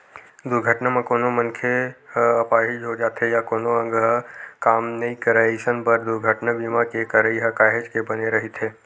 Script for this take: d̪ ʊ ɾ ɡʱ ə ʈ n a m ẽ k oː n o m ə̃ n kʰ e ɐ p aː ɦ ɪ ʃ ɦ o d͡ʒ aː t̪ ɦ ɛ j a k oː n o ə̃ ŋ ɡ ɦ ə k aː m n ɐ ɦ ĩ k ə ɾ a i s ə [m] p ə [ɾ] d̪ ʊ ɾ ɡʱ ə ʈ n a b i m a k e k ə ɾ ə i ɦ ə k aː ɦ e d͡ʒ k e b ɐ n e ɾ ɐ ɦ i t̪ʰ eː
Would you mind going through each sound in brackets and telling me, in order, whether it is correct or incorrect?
incorrect: n, correct

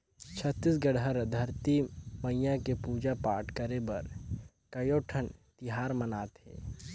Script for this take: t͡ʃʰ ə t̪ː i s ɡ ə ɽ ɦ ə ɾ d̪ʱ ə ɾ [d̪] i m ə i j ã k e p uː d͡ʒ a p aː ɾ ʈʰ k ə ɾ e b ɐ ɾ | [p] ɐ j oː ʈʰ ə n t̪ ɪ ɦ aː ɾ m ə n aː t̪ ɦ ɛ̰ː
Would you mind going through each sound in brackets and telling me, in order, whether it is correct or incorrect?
incorrect: t̪, incorrect: k

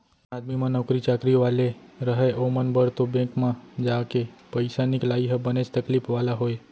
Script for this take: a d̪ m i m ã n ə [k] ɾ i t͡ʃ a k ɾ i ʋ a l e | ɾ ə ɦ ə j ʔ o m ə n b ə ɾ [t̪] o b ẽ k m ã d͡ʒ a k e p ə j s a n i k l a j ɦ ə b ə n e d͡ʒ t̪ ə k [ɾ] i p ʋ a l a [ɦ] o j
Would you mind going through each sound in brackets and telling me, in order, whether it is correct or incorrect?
correct, correct, incorrect: l, correct

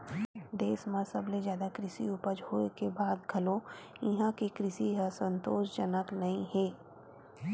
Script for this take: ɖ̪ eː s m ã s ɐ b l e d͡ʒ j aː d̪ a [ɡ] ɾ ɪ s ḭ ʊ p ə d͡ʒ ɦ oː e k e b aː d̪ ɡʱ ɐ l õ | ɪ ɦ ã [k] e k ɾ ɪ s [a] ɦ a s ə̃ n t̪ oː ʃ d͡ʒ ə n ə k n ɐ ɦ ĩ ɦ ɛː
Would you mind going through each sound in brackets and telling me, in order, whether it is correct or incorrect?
incorrect: k, correct, incorrect: i

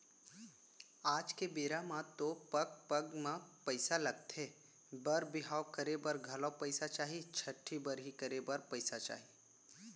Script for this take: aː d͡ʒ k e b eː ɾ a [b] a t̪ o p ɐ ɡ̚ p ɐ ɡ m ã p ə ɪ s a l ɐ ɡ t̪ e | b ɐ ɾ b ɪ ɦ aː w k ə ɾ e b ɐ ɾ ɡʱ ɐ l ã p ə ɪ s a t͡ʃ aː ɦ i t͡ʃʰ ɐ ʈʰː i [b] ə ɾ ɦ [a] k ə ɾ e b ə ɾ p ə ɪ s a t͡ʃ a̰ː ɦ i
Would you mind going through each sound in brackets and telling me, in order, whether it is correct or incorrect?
incorrect: m, correct, incorrect: i

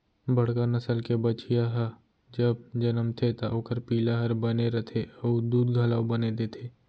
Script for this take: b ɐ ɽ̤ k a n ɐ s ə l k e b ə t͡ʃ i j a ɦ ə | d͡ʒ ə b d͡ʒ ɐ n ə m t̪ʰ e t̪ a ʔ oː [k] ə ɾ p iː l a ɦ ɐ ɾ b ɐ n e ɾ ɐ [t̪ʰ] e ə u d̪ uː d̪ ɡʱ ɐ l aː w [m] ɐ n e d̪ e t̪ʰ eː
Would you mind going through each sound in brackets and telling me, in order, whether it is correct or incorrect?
correct, correct, incorrect: b

